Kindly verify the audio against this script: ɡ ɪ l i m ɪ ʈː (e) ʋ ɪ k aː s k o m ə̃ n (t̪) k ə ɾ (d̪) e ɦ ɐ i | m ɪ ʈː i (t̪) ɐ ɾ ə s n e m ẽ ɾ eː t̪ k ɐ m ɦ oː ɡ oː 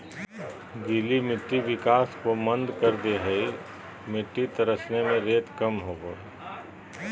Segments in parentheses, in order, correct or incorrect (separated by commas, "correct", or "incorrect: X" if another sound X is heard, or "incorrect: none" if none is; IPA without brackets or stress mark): incorrect: i, incorrect: d̪, correct, correct